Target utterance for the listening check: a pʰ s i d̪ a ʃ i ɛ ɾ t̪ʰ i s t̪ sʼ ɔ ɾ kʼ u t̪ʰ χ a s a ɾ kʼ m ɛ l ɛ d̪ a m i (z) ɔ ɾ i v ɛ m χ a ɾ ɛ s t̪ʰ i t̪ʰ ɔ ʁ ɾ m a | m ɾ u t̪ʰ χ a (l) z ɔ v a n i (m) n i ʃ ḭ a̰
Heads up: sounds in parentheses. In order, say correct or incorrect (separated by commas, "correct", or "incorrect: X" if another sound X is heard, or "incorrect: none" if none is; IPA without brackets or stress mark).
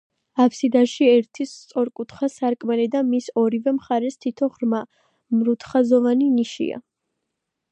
incorrect: s, incorrect: none, incorrect: none